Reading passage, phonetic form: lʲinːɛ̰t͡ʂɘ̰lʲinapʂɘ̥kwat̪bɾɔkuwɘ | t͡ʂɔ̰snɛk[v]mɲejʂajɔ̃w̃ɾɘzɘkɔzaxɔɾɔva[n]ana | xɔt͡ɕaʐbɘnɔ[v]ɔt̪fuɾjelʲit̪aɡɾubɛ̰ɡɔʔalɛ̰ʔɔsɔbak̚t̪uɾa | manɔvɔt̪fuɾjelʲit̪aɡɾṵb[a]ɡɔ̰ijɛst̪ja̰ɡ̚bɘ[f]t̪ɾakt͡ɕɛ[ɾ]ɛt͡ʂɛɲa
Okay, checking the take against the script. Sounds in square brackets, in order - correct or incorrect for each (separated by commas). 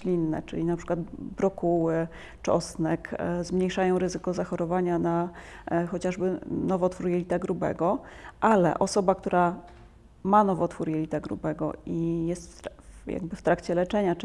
incorrect, incorrect, correct, incorrect, correct, incorrect